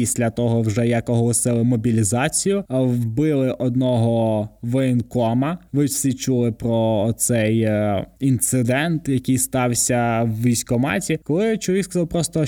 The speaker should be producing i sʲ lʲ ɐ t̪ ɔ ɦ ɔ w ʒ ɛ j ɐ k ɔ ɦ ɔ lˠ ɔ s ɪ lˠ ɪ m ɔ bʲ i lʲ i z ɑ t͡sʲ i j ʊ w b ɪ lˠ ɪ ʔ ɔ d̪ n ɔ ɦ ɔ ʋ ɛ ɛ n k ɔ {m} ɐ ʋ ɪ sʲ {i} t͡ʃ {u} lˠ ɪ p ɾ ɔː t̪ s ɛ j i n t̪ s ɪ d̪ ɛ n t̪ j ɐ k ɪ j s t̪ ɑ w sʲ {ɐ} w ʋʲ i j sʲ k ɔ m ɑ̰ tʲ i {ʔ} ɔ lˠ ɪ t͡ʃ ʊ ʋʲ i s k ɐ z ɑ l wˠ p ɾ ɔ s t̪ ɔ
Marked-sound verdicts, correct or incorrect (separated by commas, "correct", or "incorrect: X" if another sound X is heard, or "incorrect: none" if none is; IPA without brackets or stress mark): correct, correct, correct, correct, incorrect: k